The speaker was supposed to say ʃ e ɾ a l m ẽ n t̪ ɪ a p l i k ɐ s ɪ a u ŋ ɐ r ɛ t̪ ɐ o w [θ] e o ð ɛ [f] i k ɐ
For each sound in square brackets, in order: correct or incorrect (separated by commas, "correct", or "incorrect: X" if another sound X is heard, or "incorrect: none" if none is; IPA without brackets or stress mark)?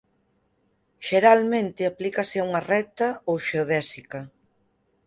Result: incorrect: ʃ, incorrect: s